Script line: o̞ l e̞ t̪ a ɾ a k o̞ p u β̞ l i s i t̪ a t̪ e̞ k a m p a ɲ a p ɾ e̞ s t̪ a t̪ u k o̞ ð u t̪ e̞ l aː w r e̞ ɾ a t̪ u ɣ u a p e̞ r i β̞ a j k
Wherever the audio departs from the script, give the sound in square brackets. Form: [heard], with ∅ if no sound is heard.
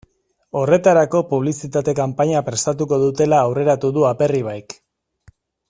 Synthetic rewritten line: o̞ [r] e̞ t̪ a ɾ a k o̞ p u β̞ l i s i t̪ a t̪ e̞ k a m p a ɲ a p ɾ e̞ s t̪ a t̪ u k o̞ ð u t̪ e̞ l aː w r e̞ ɾ a t̪ u [ð] u a p e̞ r i β̞ a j k

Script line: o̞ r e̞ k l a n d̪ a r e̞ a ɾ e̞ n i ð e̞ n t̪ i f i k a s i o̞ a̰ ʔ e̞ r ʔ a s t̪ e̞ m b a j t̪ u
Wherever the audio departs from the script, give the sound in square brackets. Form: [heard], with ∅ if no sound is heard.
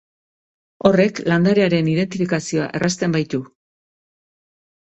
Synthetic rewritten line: o̞ r e̞ k l a n d̪ a [ɾ] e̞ a ɾ e̞ n i ð e̞ n t̪ i f i k a s i o̞ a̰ ʔ e̞ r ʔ a s t̪ e̞ m b a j t̪ u

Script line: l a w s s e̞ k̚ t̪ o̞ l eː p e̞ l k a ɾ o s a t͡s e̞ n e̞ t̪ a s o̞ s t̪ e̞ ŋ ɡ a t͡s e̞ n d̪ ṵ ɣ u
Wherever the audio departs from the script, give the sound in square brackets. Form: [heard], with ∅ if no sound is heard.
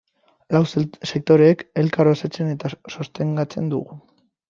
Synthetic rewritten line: l a w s s e̞ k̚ t̪ o̞ [ɾ] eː [k] e̞ l k a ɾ o s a t͡s e̞ n e̞ t̪ a s o̞ s t̪ e̞ ŋ ɡ a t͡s e̞ n d̪ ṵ ɣ u

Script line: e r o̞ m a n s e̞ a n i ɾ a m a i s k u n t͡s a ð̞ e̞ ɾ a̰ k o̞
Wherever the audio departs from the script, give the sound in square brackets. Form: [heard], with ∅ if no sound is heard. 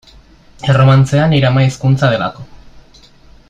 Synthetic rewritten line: e r o̞ m a n [t͡s] e̞ a n i ɾ a m a i s k u n t͡s a ð̞ e̞ [l] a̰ k o̞

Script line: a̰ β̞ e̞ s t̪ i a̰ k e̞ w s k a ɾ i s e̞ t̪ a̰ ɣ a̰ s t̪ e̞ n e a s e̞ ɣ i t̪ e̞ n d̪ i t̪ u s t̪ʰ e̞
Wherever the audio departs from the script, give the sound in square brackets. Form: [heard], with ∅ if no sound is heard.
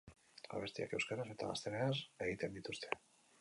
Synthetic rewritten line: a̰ β̞ e̞ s t̪ i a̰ k e̞ w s k a ɾ [a] s e̞ t̪ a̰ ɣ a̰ s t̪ e̞ n e a s e̞ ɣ i t̪ e̞ n d̪ i t̪ u s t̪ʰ e̞

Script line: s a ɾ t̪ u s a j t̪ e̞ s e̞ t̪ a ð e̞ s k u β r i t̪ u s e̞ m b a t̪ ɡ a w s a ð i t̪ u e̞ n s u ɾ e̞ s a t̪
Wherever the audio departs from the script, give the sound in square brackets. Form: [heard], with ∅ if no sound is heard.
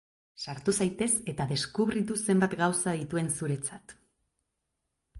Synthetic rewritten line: s a ɾ t̪ u s a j t̪ e̞ s e̞ t̪ a ð e̞ s k u β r i t̪ u s e̞ m b a t̪ ɡ a w s a ð i t̪ u e̞ n s u ɾ e̞ [t͡s] a t̪

